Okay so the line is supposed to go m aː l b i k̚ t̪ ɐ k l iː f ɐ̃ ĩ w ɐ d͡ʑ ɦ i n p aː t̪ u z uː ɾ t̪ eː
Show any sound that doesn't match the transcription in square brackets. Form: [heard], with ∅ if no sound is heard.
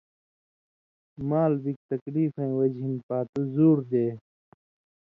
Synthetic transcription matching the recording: m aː l b i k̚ t̪ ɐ k l iː f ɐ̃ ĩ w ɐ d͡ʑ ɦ i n p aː t̪ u z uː ɾ [d̪] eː